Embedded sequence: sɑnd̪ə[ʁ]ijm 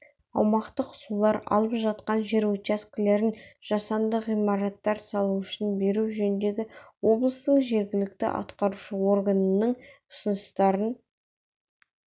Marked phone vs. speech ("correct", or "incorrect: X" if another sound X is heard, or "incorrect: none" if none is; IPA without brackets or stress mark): correct